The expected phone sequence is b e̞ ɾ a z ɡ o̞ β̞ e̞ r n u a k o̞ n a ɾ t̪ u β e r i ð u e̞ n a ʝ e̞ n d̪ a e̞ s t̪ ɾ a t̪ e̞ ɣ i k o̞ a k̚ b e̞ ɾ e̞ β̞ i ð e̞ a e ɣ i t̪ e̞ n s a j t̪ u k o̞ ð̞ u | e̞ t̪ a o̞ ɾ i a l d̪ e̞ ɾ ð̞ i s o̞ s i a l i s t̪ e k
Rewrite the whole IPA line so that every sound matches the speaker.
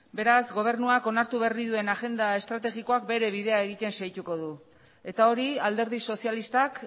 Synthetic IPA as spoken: b e̞ ɾ a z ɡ o̞ β̞ e̞ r n u a k o̞ n a ɾ t̪ u β e r i ð u e̞ n a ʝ e̞ n d̪ a e̞ s t̪ ɾ a t̪ e̞ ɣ i k o̞ a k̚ b e̞ ɾ e̞ β̞ i ð e̞ a e ɣ i t̪ e̞ n s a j t̪ u k o̞ ð̞ u | e̞ t̪ a o̞ ɾ i a l d̪ e̞ ɾ ð̞ i s o̞ s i a l i s t̪ a k